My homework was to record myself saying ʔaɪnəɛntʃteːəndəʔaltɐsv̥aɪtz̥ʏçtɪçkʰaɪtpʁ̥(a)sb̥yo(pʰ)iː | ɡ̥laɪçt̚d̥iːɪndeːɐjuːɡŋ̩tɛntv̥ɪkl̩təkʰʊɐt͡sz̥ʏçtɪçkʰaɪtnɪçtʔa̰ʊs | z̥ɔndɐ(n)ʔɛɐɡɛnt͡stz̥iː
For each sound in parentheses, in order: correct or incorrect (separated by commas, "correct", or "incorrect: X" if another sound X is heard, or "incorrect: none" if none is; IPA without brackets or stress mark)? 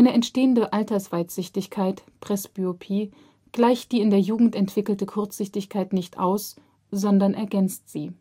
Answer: incorrect: ɛ, correct, correct